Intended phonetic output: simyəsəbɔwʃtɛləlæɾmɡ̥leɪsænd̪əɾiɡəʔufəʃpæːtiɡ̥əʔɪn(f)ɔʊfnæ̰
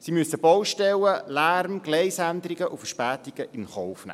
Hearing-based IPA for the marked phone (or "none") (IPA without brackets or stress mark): χ